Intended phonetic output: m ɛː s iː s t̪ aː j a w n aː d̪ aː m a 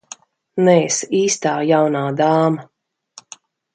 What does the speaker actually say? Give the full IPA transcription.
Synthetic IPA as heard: n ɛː s iː s t̪ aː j a w n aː d̪ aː m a